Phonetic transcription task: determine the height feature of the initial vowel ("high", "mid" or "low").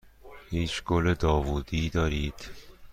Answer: high